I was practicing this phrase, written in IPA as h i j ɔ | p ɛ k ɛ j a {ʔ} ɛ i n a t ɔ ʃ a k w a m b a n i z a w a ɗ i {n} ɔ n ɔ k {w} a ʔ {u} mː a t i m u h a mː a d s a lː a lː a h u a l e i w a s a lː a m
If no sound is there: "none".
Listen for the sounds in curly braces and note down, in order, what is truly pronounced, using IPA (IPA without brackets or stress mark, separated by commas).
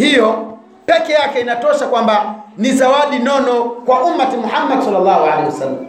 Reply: k, n, w, u